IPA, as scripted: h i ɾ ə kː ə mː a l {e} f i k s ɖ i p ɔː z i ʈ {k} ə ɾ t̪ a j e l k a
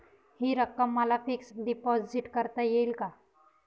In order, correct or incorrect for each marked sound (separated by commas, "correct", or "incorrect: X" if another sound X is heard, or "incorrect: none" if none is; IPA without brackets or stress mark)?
incorrect: a, correct